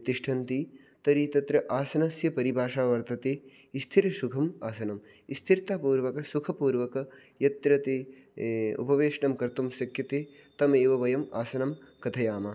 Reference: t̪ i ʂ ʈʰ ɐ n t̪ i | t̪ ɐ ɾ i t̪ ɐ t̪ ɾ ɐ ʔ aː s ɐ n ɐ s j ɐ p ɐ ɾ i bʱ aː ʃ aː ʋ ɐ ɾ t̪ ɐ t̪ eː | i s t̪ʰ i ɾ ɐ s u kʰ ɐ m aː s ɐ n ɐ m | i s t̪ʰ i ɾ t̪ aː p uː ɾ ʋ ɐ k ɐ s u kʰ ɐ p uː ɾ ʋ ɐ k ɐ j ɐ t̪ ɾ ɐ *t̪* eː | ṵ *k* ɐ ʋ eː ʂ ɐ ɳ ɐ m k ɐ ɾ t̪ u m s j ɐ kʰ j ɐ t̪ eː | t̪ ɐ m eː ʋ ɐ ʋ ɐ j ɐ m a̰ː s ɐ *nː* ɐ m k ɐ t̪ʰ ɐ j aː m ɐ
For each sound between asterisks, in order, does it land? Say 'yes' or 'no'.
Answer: yes, no, no

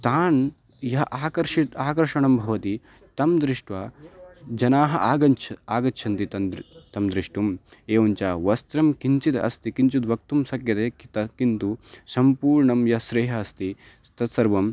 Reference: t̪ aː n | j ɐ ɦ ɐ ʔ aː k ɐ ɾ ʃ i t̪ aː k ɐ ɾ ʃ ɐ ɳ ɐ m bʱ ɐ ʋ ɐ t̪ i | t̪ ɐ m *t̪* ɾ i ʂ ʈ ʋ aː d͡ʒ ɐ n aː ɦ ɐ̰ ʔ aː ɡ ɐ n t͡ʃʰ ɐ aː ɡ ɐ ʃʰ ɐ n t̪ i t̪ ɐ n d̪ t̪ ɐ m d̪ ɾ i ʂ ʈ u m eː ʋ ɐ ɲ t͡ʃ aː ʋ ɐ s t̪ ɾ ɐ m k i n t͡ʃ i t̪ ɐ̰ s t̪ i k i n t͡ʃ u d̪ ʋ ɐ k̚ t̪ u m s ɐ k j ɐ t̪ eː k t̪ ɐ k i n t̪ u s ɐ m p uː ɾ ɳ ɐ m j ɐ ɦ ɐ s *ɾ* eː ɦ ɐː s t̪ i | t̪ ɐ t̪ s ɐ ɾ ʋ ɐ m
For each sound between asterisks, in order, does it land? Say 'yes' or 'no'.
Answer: no, yes

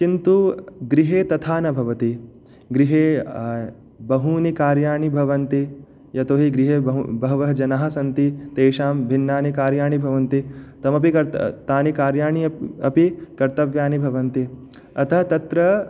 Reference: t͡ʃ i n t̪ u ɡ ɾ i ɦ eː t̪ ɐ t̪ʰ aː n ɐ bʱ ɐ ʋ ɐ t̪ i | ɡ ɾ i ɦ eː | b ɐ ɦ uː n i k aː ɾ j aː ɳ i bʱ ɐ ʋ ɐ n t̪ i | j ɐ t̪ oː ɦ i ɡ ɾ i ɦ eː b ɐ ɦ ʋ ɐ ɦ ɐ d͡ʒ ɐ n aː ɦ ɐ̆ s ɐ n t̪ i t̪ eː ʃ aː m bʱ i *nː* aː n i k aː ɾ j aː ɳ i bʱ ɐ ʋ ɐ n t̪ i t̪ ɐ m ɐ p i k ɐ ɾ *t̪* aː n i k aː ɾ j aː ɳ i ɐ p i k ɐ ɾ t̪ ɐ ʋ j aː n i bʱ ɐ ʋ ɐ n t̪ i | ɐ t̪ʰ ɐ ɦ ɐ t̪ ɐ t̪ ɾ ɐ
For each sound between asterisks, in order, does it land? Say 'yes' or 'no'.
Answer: yes, yes

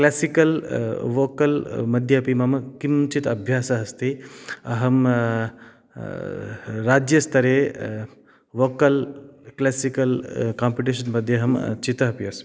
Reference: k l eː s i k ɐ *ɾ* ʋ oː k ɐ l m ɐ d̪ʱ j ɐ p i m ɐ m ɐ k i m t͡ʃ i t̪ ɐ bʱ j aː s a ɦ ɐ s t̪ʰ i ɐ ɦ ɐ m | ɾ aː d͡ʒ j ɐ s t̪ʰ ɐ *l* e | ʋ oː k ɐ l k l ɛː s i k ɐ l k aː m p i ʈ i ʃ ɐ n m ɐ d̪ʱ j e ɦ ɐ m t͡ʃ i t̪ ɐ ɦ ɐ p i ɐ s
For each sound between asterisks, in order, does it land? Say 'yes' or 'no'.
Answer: no, no

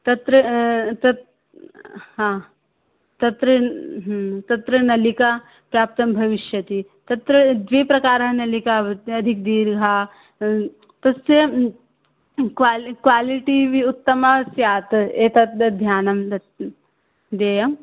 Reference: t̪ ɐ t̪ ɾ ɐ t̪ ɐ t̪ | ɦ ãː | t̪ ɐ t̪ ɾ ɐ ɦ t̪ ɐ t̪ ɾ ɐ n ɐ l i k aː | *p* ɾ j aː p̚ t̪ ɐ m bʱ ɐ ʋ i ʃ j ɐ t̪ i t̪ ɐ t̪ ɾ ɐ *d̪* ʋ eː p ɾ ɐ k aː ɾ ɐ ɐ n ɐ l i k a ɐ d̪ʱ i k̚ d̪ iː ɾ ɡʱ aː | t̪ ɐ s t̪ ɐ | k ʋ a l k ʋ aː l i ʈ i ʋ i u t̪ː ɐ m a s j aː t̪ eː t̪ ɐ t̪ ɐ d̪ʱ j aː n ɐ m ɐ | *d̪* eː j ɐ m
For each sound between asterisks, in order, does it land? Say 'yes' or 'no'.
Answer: yes, yes, yes

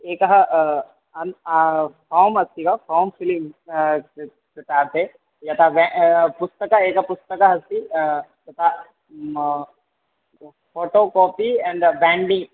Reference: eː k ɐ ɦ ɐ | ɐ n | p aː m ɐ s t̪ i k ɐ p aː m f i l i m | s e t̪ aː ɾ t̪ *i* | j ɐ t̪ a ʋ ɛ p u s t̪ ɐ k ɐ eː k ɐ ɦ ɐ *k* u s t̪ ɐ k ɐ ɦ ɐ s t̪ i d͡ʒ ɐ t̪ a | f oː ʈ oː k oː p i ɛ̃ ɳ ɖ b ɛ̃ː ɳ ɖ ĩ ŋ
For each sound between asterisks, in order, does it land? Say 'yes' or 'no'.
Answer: no, no

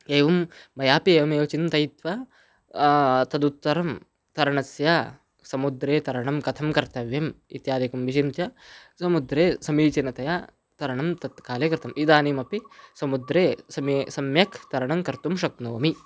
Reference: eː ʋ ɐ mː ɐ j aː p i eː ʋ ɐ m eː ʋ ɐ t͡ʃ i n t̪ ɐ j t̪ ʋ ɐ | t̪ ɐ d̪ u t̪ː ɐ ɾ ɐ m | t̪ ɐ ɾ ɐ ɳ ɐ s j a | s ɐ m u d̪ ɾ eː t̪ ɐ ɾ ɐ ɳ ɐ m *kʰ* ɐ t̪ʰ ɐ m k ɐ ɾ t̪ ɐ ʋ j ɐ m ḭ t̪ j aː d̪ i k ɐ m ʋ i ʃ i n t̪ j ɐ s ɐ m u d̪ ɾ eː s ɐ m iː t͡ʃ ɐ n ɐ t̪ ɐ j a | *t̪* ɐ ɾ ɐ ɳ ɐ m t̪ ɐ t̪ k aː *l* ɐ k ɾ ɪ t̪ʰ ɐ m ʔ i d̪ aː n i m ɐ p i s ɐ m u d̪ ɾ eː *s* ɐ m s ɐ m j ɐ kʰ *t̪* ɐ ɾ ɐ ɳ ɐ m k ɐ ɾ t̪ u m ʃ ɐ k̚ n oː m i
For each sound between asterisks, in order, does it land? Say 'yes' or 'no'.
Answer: no, yes, yes, yes, yes

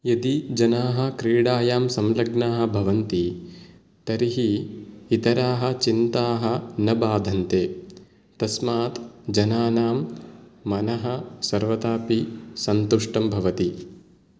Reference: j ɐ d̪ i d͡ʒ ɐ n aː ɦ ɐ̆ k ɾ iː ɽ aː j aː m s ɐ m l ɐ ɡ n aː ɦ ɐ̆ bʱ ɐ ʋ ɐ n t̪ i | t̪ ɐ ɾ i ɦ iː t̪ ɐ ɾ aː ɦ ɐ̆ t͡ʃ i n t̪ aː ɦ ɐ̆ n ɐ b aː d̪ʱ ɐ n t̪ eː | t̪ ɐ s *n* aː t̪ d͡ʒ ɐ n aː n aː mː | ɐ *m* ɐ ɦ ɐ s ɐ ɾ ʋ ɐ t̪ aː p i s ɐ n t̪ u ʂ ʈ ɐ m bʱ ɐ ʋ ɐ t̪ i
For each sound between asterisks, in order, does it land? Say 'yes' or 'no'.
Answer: no, no

